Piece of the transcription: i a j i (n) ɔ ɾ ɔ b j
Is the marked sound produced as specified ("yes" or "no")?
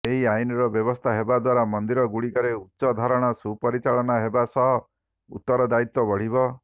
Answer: yes